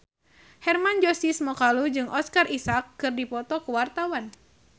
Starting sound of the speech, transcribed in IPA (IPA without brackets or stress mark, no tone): h